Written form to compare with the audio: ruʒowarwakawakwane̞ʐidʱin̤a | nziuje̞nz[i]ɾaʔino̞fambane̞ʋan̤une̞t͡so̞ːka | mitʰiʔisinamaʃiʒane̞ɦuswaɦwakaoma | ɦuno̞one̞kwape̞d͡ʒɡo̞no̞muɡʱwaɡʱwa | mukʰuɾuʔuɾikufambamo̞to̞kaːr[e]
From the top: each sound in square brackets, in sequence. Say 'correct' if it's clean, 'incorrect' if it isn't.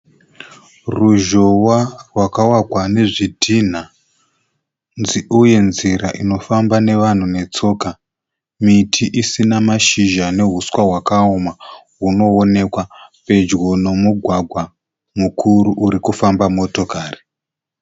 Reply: correct, incorrect

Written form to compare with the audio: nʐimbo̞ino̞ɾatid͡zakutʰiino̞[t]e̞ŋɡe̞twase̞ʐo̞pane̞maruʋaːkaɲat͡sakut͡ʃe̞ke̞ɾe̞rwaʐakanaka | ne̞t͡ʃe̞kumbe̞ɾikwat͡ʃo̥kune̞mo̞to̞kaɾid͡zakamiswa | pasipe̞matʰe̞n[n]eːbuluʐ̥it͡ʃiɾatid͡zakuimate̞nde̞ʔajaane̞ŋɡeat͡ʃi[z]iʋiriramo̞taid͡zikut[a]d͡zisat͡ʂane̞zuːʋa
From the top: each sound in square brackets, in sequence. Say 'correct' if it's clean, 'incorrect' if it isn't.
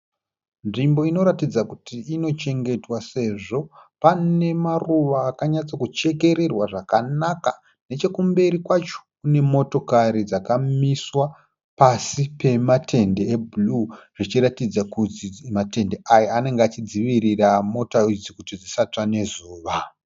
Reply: incorrect, incorrect, incorrect, incorrect

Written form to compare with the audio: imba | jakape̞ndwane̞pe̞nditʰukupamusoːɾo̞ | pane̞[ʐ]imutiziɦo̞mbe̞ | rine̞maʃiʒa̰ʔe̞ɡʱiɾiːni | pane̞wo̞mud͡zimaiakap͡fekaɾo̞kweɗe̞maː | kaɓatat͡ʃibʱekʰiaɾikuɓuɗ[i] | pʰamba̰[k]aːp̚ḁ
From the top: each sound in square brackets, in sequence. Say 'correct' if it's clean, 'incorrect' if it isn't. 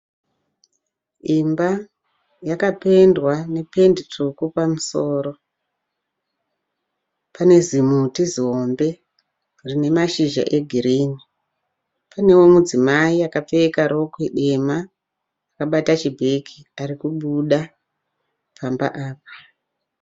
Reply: incorrect, incorrect, incorrect

